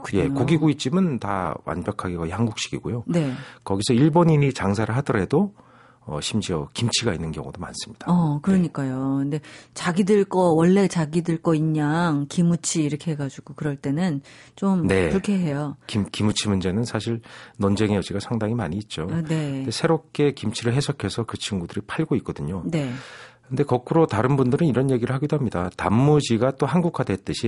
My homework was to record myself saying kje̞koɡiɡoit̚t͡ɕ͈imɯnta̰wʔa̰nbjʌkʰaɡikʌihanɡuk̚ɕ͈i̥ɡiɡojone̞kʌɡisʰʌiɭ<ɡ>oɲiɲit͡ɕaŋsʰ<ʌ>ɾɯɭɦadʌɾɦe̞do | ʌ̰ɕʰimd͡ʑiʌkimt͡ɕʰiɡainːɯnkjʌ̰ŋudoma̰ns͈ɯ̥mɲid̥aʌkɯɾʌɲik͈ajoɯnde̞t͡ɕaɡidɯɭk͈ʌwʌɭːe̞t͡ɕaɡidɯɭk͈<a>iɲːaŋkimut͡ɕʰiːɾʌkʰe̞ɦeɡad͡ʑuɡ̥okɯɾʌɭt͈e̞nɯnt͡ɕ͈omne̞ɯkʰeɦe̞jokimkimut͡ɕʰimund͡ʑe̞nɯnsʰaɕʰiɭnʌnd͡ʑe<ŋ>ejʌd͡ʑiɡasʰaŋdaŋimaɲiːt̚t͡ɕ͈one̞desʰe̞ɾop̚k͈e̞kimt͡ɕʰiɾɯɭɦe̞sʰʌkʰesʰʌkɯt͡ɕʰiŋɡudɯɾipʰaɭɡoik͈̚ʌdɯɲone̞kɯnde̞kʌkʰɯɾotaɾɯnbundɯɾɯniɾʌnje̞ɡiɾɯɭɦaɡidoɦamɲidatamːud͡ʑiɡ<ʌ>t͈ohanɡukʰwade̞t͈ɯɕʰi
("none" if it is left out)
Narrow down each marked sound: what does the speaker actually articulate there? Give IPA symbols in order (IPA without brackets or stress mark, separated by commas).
b, a, ʌ, ŋ, a